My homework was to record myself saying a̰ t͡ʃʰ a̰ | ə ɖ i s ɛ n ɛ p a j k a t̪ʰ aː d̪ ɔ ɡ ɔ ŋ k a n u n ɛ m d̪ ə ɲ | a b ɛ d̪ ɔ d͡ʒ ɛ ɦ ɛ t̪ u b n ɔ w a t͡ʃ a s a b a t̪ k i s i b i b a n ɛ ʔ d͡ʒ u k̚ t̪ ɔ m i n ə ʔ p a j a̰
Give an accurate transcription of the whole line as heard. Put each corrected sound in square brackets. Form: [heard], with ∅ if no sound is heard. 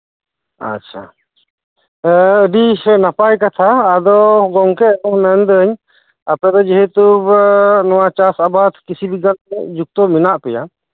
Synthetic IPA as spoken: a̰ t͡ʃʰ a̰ | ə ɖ i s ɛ n [a] p a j k a t̪ʰ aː d̪ ɔ ɡ ɔ ŋ k [ɛ] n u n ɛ [n] d̪ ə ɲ | a [p] ɛ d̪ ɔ d͡ʒ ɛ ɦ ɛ t̪ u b n ɔ w a t͡ʃ a s a b a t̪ k i s i b i [ɡ] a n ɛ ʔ d͡ʒ u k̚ t̪ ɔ m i n [a] ʔ p [ɛ] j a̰

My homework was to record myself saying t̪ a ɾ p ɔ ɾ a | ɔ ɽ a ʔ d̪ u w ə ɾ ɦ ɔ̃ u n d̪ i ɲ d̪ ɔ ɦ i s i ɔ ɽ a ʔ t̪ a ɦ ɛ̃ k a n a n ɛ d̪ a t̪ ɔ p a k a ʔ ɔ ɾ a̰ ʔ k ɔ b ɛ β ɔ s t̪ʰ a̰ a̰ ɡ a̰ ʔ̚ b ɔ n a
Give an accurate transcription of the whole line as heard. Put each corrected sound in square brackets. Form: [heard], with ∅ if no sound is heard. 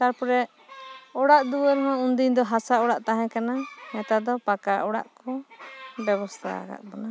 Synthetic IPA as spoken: t̪ a ɾ p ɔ ɾ [ɛ] | ɔ ɽ a ʔ d̪ u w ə ɾ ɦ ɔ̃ u n d̪ i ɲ d̪ ɔ ɦ [a] s [a] ɔ ɽ a ʔ t̪ a ɦ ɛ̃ k a n a [m] ɛ [t̪] a [d̪] ɔ p a k a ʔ ɔ [ɽ] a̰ ʔ k ɔ b ɛ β ɔ s t̪ʰ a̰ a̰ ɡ a̰ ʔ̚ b ɔ n a

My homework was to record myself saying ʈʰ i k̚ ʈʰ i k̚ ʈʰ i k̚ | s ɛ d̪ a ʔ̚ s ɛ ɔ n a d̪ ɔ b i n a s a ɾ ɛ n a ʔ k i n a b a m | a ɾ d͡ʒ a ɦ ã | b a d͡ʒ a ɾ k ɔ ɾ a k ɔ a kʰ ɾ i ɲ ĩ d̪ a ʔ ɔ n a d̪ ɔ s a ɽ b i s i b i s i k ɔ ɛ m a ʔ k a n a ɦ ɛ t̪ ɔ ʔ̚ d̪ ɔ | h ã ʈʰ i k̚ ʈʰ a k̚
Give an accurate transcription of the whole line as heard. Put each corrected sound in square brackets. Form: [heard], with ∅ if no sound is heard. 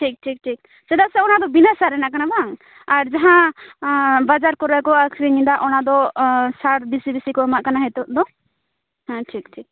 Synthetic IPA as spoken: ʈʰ i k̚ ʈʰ i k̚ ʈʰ i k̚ | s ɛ d̪ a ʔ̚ s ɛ ɔ n a d̪ ɔ b i n a s a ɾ ɛ n a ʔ k [a] n a b a [ŋ] | a ɾ d͡ʒ a ɦ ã | b a d͡ʒ a ɾ k ɔ ɾ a k ɔ a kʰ ɾ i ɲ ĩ d̪ a ʔ ɔ n a d̪ ɔ s a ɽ b i s i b i s i k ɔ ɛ m a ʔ k a n a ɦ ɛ t̪ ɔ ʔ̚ d̪ ɔ | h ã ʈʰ i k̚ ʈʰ [i] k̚

